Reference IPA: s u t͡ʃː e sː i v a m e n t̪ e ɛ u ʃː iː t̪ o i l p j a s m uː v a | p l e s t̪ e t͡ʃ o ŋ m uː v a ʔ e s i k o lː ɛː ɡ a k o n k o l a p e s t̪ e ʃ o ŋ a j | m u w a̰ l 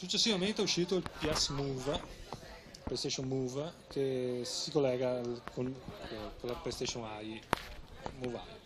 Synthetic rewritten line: s u t͡ʃː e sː i v a m e n t̪ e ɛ u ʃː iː t̪ o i l p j a s m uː v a | p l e s t̪ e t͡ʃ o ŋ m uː v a k e s i k o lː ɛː ɡ a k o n k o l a p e s t̪ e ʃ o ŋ a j | m u v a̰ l